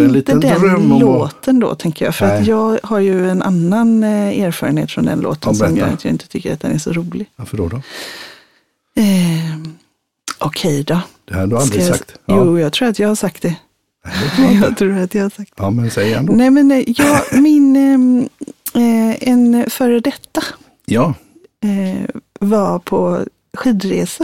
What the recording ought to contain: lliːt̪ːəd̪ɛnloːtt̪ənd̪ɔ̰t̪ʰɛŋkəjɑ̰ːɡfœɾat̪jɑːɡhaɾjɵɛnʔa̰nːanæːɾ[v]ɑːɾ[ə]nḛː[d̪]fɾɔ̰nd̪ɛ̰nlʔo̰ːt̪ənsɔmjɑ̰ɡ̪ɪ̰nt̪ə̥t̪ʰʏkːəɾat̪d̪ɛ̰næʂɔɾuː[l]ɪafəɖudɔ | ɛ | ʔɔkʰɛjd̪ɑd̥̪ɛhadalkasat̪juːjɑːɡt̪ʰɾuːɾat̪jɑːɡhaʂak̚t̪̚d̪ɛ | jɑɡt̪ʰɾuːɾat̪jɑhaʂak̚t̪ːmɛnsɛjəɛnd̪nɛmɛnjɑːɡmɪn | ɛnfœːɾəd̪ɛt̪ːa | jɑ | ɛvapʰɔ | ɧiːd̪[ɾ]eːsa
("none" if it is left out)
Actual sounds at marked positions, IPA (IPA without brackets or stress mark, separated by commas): f, ə, t̪, l, ɾ